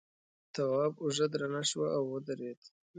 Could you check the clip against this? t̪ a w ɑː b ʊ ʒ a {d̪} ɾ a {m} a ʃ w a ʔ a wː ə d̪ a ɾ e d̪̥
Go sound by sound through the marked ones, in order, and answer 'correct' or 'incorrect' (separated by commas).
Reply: correct, incorrect